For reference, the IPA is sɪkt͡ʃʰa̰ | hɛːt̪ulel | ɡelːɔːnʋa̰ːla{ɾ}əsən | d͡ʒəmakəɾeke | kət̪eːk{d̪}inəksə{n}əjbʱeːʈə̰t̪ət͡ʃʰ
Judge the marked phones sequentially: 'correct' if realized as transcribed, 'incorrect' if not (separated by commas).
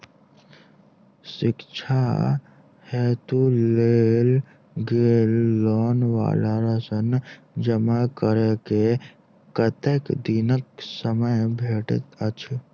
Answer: correct, correct, incorrect